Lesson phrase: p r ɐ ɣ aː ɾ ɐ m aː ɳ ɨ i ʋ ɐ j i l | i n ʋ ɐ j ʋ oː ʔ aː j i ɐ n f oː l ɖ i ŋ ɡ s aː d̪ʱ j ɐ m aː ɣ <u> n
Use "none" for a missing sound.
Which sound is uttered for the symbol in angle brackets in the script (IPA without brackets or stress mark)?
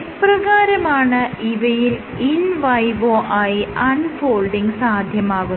u